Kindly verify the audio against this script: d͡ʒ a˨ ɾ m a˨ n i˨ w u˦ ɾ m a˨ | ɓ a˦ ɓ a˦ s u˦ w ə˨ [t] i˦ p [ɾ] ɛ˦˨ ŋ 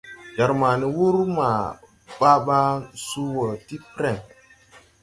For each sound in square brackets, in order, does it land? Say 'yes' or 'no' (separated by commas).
yes, yes